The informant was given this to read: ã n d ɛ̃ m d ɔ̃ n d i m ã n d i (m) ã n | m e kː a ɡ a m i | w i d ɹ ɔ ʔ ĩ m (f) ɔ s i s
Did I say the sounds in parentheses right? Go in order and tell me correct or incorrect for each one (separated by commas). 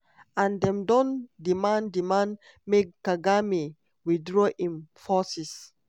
correct, correct